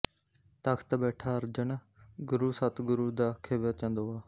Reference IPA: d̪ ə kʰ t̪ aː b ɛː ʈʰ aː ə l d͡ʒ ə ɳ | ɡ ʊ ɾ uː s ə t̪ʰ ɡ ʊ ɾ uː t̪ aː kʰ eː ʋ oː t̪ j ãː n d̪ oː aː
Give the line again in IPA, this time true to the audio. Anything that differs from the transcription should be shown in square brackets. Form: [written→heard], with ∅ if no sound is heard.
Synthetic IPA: [d̪→t̪] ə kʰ t̪ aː b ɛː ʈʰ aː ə [l→ɾ] d͡ʒ ə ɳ | ɡ ʊ ɾ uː s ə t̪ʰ ɡ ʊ ɾ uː [t̪→d̪] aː kʰ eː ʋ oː t̪ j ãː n d̪ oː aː

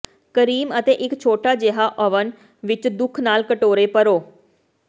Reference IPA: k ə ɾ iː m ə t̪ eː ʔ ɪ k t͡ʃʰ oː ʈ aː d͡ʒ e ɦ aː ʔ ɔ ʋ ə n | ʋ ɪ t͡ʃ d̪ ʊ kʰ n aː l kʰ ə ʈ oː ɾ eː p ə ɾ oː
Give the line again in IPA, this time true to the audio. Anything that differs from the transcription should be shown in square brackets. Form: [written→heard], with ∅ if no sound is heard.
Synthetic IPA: k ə ɾ iː m ə t̪ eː ʔ ɪ k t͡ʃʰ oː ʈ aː d͡ʒ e ɦ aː ʔ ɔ ʋ ə n | ʋ ɪ t͡ʃ d̪ ʊ kʰ n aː l [kʰ→k] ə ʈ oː ɾ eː p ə ɾ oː

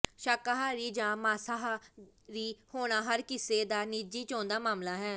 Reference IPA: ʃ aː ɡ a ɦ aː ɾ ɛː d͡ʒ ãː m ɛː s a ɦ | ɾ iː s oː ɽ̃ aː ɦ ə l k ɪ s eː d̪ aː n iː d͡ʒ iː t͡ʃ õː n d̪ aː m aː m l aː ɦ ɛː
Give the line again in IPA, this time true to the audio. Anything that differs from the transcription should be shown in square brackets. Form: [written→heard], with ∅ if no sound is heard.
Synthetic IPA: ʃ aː [ɡ→k] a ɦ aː ɾ [ɛː→iː] d͡ʒ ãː m [ɛː→aː] s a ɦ | ɾ iː [s→h] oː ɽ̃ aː ɦ ə [l→ɾ] k ɪ s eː d̪ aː n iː d͡ʒ iː t͡ʃ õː n d̪ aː m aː m l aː ɦ ɛː

